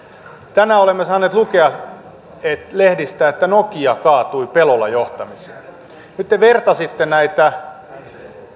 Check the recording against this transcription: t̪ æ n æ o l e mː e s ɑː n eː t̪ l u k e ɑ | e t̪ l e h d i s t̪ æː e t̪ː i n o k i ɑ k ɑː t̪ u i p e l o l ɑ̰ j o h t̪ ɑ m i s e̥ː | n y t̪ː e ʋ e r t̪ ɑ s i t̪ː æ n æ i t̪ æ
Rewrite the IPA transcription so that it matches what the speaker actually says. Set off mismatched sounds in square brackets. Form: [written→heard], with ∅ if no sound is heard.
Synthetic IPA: t̪ æ n æ o l e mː e s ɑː n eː t̪ l u k e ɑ | e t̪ l e h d i s t̪ æː e t̪ː [i→æ] n o k i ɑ k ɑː t̪ u i p e l o l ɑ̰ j o h t̪ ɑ m i s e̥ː | n y t̪ː e ʋ e r t̪ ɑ s i t̪ː [æ→e] n æ i t̪ æ